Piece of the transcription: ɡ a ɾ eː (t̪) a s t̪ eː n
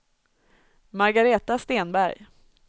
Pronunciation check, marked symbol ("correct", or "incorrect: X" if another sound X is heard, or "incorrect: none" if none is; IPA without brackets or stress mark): correct